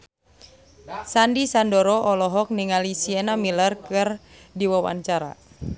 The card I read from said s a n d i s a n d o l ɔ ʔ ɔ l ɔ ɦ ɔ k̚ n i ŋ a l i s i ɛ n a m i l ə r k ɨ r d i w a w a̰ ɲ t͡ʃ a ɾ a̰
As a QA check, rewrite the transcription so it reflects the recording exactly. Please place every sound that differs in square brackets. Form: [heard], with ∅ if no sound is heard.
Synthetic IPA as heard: s a n d i s a n d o [ɾ] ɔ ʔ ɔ l ɔ ɦ ɔ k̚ n i ŋ a l i s i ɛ n a m i l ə r k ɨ r d i w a w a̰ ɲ t͡ʃ a ɾ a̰